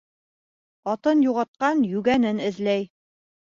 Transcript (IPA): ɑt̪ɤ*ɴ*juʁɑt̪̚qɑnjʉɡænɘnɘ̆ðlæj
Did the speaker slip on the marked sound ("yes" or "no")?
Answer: yes